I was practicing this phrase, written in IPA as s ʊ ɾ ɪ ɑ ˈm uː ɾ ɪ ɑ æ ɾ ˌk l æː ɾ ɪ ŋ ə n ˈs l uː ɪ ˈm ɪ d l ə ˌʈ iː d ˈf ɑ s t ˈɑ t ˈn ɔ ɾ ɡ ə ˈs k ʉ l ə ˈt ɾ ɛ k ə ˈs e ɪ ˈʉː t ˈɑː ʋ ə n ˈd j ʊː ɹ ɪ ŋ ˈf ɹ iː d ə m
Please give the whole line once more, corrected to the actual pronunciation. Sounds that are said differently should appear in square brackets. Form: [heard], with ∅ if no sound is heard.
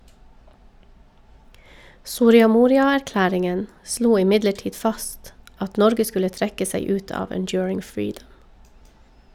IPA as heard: s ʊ ɾ ɪ ɑ ˈm uː ɾ ɪ ɑ æ ɾ ˌk l æː ɾ ɪ ŋ ə n ˈs l uː ɪ ˈm ɪ d l ə ˌʈ iː d ˈf ɑ s t ˈɑ t ˈn ɔ ɾ ɡ ə ˈs k ʉ l ə ˈt ɾ ɛ k ə ˈs [æ] ɪ ˈʉː t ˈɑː ʋ ə n ˈd j ʊː ɹ ɪ ŋ ˈf ɹ iː d ə m